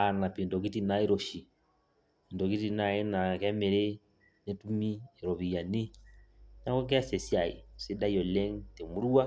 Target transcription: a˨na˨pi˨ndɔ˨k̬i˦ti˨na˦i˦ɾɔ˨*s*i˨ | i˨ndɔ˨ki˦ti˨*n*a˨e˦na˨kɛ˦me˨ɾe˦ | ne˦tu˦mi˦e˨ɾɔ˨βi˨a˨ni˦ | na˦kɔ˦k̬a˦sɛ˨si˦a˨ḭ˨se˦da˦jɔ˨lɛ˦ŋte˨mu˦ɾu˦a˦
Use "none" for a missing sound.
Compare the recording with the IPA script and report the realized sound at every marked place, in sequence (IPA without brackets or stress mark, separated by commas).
ʃ, n